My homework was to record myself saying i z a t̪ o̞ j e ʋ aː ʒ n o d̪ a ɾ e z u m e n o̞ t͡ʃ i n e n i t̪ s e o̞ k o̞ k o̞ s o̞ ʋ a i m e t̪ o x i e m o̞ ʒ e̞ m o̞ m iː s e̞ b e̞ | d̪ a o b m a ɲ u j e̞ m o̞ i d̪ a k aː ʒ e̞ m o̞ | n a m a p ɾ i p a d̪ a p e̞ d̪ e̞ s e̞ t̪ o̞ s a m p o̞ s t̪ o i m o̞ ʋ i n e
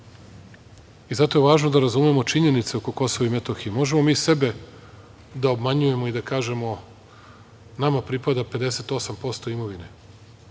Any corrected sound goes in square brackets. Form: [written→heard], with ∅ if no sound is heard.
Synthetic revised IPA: i z a t̪ o̞ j e ʋ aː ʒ n o d̪ a ɾ [e→a] z u m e [n→m] o̞ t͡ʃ i [n→ɲ] e n i t̪ s e o̞ k o̞ k o̞ s o̞ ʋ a i m e t̪ o x i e m o̞ ʒ e̞ m o̞ m iː s e̞ b e̞ | d̪ a o b m a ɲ u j e̞ m o̞ i d̪ a k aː ʒ e̞ m o̞ | n a m a p ɾ i p a d̪ a p e̞ d̪ e̞ s e̞ t̪ o̞ s a m p o̞ s t̪ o i m o̞ ʋ i n e